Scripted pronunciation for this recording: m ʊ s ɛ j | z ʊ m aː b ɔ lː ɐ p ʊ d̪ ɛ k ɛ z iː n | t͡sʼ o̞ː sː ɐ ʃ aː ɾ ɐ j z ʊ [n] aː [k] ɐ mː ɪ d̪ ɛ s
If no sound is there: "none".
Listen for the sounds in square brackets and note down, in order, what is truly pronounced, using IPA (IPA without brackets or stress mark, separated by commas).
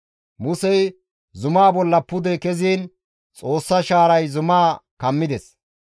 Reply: m, k